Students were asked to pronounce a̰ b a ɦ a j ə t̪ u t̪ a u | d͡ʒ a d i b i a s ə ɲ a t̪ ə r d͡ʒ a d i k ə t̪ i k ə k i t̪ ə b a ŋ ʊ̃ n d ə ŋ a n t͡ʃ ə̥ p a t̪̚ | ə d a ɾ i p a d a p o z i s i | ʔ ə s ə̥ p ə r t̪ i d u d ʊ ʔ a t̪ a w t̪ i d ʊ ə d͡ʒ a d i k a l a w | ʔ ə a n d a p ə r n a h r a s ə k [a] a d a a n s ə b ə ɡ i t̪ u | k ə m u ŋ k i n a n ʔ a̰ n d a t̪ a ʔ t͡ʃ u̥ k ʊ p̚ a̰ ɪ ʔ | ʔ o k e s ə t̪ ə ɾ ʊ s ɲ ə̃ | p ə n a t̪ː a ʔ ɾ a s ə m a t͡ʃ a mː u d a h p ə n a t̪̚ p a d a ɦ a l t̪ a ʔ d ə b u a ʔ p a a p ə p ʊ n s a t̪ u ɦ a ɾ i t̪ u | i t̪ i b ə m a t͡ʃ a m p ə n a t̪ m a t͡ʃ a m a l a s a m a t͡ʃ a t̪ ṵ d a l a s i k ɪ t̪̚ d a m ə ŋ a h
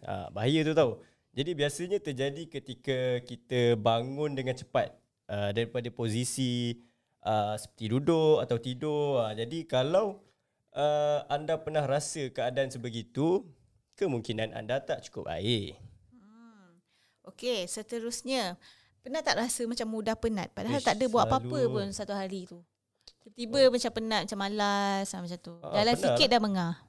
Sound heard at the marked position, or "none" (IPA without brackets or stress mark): ə